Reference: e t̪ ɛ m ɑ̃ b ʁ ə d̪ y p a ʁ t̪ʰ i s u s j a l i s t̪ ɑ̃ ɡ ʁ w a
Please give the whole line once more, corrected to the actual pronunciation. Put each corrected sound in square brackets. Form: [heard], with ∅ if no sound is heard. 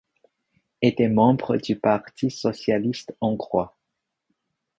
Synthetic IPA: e t̪ ɛ m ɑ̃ b ʁ ə d̪ y p a ʁ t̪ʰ i s [ɔ] s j a l i s t̪ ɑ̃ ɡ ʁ w a